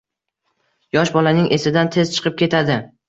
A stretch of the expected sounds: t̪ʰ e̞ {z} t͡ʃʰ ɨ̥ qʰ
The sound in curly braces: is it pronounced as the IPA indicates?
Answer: yes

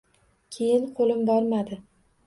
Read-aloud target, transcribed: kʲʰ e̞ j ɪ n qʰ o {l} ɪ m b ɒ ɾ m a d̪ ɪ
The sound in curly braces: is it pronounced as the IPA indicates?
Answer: yes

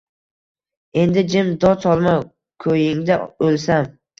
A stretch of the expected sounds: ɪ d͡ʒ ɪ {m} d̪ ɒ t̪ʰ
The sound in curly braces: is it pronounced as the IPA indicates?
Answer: yes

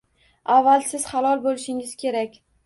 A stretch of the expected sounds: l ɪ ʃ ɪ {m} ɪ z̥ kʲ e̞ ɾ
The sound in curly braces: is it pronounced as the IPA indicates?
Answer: no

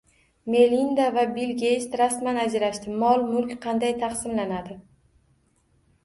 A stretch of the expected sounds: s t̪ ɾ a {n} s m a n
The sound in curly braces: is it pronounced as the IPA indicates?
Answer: no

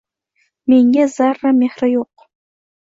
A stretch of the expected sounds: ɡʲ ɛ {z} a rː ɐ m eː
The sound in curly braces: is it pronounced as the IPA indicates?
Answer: yes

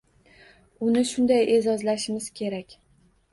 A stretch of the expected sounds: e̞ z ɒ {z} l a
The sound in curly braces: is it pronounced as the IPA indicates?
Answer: yes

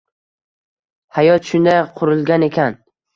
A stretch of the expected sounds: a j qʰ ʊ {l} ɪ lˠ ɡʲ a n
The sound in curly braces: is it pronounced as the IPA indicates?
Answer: no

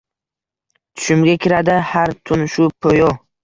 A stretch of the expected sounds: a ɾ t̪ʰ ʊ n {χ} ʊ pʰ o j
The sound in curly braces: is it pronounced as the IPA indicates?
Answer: no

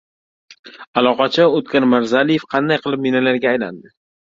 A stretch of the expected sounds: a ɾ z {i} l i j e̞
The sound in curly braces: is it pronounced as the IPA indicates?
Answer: no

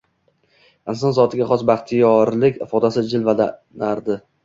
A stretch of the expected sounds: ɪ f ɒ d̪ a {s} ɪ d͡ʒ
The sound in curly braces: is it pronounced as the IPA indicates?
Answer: yes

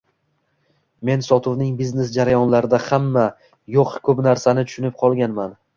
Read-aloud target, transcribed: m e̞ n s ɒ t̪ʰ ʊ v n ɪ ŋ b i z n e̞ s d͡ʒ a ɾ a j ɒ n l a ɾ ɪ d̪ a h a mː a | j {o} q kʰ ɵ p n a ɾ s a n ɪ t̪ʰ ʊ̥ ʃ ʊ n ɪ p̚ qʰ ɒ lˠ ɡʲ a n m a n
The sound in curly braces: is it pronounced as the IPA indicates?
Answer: yes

